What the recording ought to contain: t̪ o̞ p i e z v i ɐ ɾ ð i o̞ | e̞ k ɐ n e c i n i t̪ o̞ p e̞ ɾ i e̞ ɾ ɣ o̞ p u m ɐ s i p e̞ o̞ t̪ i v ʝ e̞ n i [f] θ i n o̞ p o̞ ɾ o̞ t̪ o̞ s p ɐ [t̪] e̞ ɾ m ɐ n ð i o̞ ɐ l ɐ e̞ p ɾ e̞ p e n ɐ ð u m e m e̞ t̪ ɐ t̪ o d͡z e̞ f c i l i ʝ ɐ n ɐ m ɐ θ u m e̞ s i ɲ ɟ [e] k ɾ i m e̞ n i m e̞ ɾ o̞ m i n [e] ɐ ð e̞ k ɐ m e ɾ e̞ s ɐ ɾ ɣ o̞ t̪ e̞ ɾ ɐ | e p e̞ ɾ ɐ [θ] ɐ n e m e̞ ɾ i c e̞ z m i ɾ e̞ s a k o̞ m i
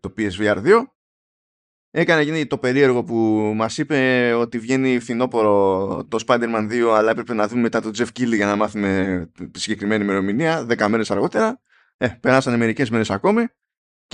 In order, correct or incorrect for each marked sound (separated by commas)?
correct, incorrect, correct, incorrect, incorrect